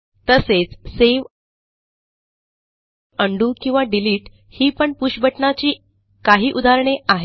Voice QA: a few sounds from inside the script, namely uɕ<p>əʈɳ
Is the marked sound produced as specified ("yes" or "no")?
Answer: no